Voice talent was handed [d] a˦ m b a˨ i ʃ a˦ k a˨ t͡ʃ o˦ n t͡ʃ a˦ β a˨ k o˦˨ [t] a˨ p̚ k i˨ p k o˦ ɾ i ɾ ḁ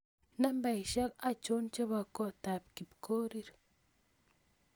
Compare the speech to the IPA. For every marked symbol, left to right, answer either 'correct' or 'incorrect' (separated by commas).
incorrect, correct